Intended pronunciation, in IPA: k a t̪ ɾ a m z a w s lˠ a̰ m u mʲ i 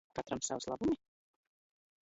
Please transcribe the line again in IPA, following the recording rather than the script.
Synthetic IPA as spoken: k a t̪ ɾ a m s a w s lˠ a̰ b u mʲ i